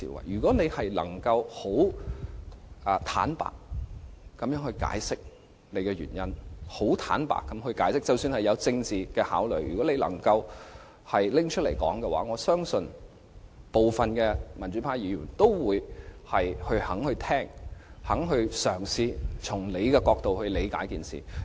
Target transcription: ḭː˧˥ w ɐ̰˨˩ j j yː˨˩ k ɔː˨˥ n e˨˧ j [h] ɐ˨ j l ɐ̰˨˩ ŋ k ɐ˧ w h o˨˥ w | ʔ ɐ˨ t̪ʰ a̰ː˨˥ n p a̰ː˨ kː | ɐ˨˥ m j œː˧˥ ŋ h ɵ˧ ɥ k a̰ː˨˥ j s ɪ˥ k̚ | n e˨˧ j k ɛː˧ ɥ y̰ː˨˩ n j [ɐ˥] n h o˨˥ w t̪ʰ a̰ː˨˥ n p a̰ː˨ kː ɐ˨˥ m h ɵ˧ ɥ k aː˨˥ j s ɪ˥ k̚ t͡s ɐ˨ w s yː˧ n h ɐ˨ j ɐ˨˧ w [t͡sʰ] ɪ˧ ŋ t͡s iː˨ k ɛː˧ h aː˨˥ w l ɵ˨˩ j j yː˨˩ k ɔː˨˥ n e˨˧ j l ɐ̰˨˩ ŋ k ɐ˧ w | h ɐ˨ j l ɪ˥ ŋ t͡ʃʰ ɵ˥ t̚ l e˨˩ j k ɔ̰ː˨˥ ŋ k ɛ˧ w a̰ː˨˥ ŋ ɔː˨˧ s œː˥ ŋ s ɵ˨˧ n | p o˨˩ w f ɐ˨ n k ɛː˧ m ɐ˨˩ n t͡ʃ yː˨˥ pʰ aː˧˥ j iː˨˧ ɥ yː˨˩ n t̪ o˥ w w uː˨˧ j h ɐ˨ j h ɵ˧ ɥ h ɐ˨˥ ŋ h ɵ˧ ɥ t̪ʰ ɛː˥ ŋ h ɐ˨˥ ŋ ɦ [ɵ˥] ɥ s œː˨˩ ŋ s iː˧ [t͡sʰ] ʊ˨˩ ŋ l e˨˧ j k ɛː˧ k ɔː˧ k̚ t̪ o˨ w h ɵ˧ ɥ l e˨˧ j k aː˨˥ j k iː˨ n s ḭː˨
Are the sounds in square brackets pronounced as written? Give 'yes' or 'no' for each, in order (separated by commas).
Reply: yes, yes, no, no, yes